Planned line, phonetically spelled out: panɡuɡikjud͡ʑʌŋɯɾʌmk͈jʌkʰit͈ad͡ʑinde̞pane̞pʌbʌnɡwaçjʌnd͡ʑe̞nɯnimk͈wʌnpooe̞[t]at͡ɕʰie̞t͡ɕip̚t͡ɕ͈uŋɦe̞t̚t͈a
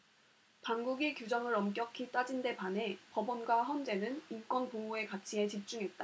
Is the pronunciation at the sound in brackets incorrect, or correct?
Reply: incorrect